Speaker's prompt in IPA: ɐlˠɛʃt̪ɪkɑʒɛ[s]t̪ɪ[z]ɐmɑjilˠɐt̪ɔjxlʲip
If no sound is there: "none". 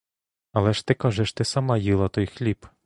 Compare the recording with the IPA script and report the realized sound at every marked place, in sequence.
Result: ʃ, s

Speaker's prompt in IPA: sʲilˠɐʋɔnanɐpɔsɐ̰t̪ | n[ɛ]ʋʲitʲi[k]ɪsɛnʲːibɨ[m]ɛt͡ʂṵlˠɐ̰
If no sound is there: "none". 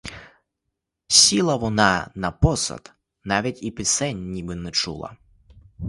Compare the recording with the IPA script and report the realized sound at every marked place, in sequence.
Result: a, p, n

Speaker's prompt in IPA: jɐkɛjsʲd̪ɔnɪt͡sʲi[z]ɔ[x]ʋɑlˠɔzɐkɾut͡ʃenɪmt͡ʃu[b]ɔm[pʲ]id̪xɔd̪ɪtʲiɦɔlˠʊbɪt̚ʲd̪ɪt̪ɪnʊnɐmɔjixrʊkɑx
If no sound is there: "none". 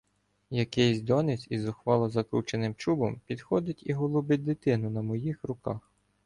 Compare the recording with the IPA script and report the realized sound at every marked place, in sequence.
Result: z, x, b, pʲ

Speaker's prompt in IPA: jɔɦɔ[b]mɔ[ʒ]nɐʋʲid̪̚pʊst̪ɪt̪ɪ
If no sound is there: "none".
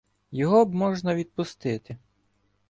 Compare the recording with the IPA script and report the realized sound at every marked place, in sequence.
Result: b, ʒ

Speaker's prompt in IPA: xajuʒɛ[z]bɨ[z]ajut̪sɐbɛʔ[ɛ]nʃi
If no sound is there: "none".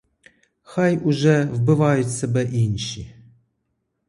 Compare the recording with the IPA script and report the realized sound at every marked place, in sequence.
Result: v, v, i

